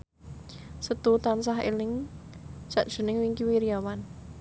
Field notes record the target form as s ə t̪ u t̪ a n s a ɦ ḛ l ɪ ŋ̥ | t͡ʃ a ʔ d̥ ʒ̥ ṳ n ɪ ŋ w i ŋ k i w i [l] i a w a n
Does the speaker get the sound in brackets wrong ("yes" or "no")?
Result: yes